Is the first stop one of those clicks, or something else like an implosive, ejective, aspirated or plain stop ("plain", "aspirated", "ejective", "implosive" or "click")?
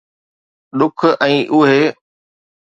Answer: implosive